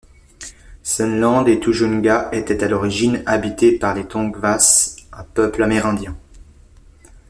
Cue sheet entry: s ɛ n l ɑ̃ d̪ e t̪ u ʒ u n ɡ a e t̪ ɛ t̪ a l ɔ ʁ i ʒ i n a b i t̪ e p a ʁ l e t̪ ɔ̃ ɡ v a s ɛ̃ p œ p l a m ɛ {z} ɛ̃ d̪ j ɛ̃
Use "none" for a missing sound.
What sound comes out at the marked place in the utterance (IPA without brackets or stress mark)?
ʁ